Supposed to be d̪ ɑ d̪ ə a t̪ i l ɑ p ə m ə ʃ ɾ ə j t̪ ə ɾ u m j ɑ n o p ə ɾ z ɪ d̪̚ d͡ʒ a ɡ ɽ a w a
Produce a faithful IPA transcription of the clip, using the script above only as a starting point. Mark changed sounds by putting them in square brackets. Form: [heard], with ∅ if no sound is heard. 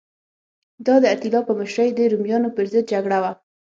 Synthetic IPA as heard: d̪ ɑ d̪ ə a t̪ i l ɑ p ə m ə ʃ ɾ ə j [d̪] ə ɾ u m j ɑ n o p ə ɾ z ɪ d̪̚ d͡ʒ a ɡ ɽ a w a

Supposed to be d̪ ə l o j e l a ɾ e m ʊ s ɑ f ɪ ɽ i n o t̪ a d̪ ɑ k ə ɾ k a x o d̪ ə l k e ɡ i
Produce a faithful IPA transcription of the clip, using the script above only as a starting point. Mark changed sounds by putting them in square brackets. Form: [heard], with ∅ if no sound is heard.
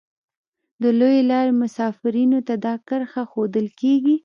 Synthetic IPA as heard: d̪ ə l o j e l [ɑ] ɾ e m ʊ s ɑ f ɪ [ɾ] i n o t̪ a d̪ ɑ k ə ɾ [x] a x o d̪ ə l k e ɡ i

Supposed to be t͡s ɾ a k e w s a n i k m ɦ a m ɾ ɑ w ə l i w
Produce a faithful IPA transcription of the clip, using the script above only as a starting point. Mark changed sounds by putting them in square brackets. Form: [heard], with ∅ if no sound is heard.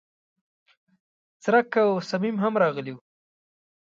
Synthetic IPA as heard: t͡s ɾ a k [a] w s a [m] i [∅] m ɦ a m ɾ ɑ [ɣ] ə l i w

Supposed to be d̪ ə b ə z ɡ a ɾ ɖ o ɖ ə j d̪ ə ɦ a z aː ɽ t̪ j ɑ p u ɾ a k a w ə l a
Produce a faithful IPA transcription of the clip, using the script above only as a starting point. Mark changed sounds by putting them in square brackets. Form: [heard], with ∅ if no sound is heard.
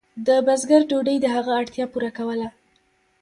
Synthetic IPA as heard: d̪ ə b [a] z ɡ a ɾ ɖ o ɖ ə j d̪ ə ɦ a [ɣ] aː ɽ t̪ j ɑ p u ɾ a k a w ə l a

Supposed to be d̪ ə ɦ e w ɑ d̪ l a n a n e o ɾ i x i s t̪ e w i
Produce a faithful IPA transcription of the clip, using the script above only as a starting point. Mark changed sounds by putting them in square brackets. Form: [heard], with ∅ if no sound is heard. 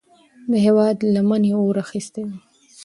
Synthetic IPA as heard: d̪ ə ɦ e w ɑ d̪ l a [m] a n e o ɾ [a] x i s t̪ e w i

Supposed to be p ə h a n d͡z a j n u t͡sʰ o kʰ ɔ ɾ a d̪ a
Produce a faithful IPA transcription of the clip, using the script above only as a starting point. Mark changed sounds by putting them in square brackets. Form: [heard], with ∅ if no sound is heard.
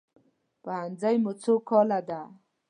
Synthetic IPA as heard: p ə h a n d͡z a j [m] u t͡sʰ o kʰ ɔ [l] a d̪ a

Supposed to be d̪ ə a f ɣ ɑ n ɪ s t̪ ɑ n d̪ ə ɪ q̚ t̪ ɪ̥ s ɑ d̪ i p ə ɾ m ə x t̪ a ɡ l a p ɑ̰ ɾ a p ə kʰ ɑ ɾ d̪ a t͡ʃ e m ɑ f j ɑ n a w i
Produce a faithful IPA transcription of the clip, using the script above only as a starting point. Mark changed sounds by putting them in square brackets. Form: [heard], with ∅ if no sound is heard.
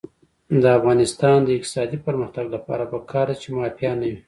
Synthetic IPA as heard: d̪ ə a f ɣ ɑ n ɪ s t̪ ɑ n d̪ ə ɪ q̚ t̪ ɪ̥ s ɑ d̪ i p ə ɾ m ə x t̪ a ɡ l a p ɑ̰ ɾ a p ə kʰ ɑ ɾ d̪ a t͡ʃ e m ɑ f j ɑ n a w i

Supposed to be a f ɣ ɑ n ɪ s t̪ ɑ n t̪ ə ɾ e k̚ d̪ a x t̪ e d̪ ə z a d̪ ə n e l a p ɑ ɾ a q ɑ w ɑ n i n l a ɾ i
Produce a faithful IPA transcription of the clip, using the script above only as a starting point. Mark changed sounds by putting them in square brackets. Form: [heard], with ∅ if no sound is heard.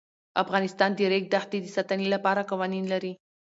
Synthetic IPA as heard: a f ɣ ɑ n ɪ s t̪ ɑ n [d̪] ə ɾ e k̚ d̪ a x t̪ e d̪ ə [s] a [t̪] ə n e l a p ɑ ɾ a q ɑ w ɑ n i n l a ɾ i

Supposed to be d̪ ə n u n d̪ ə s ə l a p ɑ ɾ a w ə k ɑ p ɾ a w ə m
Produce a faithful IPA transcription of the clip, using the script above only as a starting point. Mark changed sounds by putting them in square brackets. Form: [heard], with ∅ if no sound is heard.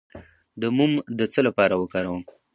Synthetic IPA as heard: d̪ ə [m] u [m] d̪ ə [t͡s] ə l a p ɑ ɾ a w ə k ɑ [∅] ɾ a w ə m

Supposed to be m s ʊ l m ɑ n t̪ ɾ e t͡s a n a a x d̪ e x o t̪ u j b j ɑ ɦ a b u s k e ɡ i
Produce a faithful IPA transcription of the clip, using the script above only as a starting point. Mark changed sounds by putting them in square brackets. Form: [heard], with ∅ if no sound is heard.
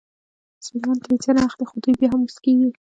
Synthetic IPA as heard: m s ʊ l m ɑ n t̪ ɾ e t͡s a n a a x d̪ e x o [d̪] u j b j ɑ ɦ a [m] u s k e ɡ i

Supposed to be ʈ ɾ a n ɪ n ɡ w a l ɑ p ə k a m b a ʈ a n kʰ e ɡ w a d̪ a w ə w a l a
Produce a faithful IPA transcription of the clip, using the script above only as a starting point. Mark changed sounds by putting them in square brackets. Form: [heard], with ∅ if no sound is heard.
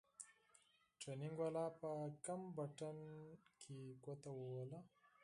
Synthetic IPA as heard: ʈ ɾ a n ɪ [ŋ] ɡ w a l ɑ p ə k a m b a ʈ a n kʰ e ɡ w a [t̪] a w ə w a l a

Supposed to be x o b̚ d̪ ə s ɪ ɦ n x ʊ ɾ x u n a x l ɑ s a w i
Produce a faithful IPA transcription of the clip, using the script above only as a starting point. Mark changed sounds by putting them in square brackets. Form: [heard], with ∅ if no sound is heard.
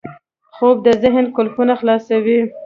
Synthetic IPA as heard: x o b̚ d̪ ə [z] ɪ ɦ n [k] ʊ [l] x u n a x l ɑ s a w i

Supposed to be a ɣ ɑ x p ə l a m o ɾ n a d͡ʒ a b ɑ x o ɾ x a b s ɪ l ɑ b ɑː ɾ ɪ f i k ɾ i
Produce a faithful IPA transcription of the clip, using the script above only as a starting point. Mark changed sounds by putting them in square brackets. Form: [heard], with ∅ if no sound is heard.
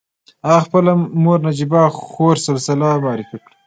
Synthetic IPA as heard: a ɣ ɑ x p ə l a m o ɾ n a d͡ʒ [i] b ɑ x o ɾ [s] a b s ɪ l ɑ [m] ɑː ɾ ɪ f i k [ɽ] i

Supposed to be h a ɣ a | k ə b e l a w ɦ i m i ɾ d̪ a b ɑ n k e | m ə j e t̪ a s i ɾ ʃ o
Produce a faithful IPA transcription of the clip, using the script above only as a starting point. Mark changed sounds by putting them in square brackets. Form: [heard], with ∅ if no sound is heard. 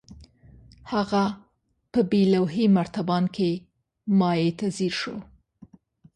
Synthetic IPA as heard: h a ɣ a | [p] ə b e l a w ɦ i m [a] ɾ [t̪] a b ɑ n k e | m [ɑ] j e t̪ a [z] i ɾ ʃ o

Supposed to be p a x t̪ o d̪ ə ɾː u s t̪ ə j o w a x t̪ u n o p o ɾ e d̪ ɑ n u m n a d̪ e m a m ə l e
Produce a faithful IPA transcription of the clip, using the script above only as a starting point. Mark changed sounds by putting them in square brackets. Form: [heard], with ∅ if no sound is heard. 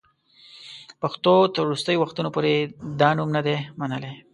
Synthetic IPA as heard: p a x t̪ o [t̪] ə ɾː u s t̪ ə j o w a x t̪ u n o p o ɾ e d̪ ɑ n u m n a d̪ e m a [n] ə l e

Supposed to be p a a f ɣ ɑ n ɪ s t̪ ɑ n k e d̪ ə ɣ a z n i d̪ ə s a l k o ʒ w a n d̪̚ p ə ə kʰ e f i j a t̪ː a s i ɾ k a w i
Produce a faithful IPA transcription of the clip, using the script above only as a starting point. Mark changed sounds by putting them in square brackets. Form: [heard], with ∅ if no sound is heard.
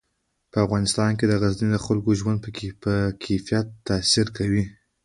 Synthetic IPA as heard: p [ə] a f ɣ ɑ n ɪ s t̪ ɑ n k e d̪ ə ɣ a z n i d̪ ə [x] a l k o ʒ w a n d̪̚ p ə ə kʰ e f i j a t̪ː a s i ɾ k a w i

